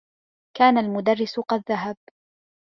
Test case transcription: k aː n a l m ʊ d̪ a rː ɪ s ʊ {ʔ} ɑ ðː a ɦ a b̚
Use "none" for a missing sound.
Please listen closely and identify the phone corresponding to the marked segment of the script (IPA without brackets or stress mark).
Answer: q